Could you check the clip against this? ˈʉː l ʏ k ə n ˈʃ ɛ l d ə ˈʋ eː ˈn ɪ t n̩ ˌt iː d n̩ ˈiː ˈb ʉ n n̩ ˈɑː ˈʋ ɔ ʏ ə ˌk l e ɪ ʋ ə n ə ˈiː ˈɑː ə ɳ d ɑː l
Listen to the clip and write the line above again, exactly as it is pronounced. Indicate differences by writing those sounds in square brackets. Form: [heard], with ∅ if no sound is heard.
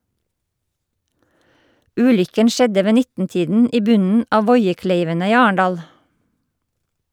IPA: ˈʉː l ʏ k ə n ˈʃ ɛ [∅] d ə ˈʋ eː ˈn ɪ t n̩ ˌt iː d n̩ ˈiː ˈb ʉ n n̩ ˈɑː ˈʋ ɔ ʏ ə ˌk l e ɪ ʋ ə n ə ˈiː ˈɑː ə ɳ d ɑː l